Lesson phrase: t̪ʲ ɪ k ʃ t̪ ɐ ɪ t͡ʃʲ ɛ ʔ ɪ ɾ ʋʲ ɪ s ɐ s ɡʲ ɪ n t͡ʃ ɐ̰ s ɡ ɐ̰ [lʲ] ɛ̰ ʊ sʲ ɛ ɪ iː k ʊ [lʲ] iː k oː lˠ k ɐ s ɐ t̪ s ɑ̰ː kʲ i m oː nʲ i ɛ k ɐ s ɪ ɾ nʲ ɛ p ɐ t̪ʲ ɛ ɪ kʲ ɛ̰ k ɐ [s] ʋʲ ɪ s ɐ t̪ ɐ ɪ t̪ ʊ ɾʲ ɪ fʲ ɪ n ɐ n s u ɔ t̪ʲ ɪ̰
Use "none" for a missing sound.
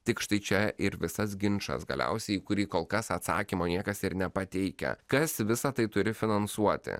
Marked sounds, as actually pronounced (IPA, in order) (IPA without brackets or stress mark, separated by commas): lʲ, ɾʲ, s